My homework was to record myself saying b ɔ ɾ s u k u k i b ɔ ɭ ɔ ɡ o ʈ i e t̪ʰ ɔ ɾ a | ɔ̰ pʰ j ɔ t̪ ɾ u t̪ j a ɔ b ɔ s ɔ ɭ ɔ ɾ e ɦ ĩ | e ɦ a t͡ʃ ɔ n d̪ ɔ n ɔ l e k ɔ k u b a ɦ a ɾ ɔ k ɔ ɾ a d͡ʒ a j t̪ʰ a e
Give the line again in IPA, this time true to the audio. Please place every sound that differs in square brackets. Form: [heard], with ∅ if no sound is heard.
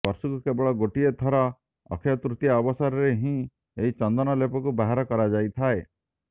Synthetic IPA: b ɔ ɾ s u k u k [e] b ɔ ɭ ɔ ɡ o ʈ i e t̪ʰ ɔ ɾ a | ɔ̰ [kʰ] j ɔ t̪ ɾ u t̪ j a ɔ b ɔ s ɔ [ɾ] ɔ ɾ e ɦ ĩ | e ɦ [i] t͡ʃ ɔ n d̪ ɔ n ɔ l e [p] ɔ k u b a ɦ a ɾ ɔ k ɔ ɾ a d͡ʒ a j t̪ʰ a e